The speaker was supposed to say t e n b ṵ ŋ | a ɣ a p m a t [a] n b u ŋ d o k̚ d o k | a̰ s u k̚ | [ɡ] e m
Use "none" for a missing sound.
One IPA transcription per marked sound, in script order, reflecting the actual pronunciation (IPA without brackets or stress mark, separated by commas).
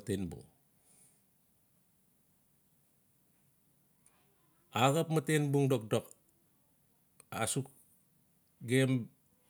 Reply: e, ɡ